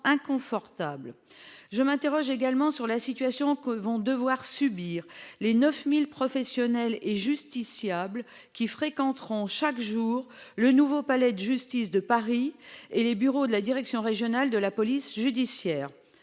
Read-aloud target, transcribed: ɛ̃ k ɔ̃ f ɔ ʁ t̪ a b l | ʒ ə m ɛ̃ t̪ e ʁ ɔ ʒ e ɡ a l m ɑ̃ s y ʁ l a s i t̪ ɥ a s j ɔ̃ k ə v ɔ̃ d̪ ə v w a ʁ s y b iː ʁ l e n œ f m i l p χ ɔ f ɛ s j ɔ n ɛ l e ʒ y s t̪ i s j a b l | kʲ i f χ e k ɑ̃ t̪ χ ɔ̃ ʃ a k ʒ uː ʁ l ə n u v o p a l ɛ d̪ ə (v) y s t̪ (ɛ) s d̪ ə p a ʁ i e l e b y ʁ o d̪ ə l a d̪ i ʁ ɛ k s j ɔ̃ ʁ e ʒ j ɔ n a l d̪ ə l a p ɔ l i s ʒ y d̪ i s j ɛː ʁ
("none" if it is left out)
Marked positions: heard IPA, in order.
ʒ, i

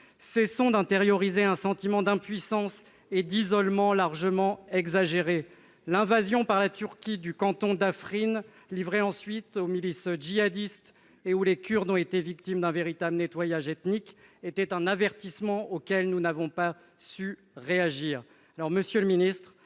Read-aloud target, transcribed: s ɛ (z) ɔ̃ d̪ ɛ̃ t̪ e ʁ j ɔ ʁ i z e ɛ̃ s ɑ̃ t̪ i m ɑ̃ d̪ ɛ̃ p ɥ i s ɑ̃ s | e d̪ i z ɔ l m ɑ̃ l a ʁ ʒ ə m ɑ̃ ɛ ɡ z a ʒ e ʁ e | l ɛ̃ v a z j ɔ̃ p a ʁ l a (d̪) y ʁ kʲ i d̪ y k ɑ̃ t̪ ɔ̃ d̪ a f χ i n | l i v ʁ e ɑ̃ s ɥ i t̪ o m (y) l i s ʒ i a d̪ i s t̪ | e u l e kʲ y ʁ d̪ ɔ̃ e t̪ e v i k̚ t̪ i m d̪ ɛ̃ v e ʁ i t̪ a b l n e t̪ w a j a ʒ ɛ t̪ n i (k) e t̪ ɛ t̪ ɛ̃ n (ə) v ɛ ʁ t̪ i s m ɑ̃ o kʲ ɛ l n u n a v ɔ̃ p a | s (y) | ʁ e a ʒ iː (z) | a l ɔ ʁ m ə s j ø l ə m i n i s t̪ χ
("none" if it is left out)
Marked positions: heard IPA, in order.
s, t̪, i, k, a, y, ʁ

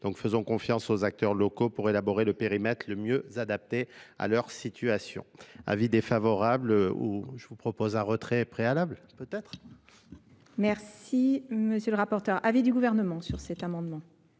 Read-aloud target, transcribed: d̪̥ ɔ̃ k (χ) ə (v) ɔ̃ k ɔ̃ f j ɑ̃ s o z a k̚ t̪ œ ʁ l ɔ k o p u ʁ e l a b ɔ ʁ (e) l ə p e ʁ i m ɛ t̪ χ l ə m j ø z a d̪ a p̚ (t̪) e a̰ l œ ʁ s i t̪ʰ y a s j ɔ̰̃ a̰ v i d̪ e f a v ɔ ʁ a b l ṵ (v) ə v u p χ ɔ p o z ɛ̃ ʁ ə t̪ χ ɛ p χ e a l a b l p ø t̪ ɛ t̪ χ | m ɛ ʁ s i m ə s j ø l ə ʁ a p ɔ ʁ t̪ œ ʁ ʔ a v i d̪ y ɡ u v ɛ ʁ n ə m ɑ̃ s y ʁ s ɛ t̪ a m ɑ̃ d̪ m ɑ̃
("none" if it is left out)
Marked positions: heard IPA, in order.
f, z, e, t̪, ʒ

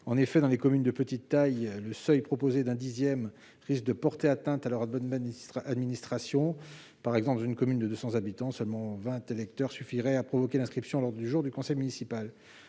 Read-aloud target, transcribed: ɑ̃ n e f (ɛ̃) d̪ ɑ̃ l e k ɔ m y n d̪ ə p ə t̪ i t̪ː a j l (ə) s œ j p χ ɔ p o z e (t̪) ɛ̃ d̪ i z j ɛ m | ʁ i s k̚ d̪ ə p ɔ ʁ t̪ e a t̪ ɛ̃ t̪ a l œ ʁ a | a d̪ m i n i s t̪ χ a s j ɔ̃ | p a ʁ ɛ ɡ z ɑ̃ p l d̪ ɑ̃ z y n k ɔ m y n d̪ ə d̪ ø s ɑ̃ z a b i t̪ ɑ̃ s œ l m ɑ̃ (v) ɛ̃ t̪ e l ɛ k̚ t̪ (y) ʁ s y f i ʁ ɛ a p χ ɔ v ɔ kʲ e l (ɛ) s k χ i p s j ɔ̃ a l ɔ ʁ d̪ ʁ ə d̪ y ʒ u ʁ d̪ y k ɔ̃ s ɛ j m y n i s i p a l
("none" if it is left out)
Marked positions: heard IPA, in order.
ɛ, ə, d̪, v, œ, ɛ̃

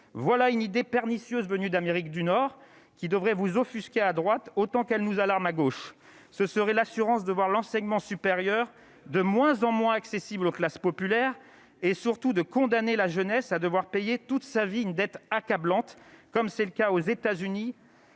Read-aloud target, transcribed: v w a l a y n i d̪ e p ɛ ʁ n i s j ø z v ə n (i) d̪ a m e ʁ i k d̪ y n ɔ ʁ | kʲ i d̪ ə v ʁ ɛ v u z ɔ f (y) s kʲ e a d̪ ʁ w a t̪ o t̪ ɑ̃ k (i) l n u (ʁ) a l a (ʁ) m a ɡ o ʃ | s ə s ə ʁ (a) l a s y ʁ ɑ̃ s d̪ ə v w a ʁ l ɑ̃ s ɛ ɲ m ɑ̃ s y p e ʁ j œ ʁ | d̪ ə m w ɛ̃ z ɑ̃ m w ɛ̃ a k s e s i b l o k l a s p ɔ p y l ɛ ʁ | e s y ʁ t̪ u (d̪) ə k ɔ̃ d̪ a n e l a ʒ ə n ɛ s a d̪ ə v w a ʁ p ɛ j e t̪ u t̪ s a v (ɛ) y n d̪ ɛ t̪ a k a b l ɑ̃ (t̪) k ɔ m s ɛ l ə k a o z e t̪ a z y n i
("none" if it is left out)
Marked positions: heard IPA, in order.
y, y, ɛ, z, ʁ, ɛ, d̪, i, t̪

